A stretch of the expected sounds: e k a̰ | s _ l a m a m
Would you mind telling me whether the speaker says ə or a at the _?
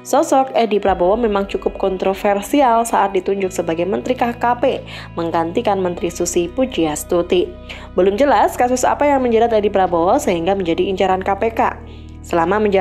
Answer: ə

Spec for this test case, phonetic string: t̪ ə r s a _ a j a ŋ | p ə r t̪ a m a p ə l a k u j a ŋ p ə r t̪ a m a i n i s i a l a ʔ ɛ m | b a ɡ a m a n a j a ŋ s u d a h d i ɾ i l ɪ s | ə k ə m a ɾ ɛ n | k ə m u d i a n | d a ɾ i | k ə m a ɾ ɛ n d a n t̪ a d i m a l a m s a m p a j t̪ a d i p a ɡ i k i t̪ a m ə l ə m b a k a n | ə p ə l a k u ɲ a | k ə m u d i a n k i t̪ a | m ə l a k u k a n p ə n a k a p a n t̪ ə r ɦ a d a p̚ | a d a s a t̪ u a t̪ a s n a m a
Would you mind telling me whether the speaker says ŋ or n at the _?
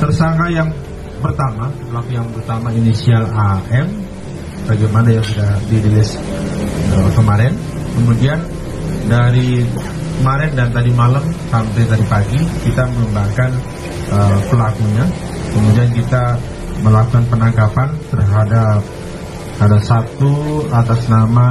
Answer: ŋ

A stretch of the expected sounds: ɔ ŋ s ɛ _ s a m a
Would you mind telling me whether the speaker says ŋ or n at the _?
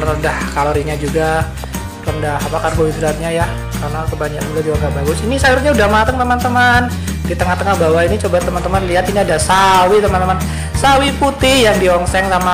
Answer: ŋ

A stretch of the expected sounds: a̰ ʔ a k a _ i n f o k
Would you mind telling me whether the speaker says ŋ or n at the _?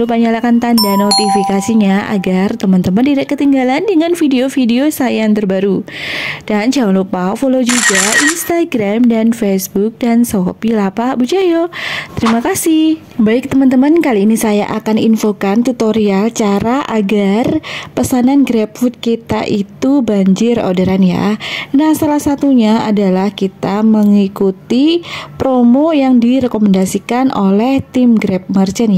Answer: n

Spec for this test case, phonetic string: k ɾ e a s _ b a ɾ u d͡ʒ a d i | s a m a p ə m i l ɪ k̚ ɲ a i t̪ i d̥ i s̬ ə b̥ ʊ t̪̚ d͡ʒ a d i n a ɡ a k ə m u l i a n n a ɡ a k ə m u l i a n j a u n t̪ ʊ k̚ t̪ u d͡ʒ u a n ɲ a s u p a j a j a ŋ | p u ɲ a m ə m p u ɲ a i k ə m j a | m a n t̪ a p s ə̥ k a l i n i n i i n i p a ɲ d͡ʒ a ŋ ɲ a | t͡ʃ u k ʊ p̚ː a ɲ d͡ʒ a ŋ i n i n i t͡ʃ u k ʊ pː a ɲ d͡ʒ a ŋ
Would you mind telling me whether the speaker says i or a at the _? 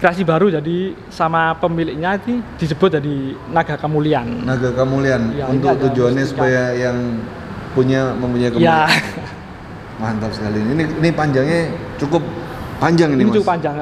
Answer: i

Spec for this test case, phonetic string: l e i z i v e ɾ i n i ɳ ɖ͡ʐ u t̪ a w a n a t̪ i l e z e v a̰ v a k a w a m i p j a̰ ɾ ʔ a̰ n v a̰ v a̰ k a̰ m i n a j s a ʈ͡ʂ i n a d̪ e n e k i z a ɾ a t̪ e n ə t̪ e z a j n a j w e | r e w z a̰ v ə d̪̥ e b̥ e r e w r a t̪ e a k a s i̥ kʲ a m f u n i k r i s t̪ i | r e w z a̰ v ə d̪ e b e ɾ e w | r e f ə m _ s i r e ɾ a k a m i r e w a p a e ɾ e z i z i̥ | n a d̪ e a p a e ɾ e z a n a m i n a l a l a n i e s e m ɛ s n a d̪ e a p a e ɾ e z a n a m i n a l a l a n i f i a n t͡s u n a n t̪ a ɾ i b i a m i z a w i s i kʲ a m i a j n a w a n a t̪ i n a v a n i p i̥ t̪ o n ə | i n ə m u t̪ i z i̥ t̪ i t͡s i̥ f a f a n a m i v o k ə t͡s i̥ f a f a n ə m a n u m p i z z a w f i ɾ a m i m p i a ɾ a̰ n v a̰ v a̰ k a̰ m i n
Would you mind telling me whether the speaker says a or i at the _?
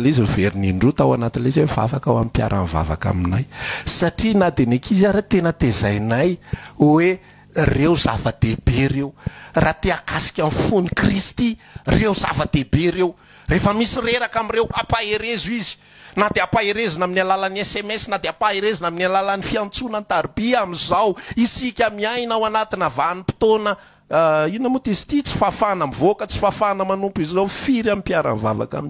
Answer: i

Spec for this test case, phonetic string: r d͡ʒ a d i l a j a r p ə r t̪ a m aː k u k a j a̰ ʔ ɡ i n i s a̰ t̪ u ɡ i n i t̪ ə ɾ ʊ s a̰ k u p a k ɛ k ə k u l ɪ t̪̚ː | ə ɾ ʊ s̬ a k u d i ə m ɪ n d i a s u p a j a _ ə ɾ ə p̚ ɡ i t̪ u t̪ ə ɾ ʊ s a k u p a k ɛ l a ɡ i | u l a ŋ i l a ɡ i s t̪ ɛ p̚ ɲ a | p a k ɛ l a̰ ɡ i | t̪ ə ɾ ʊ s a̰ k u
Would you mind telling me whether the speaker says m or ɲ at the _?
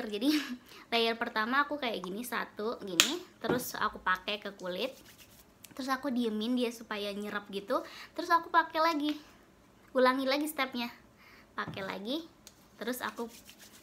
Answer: ɲ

